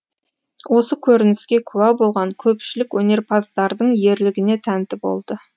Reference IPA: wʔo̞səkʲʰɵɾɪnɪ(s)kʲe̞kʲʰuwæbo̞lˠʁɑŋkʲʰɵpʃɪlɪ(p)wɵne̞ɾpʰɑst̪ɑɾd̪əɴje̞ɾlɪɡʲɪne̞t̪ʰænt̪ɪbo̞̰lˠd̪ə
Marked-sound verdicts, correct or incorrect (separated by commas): correct, incorrect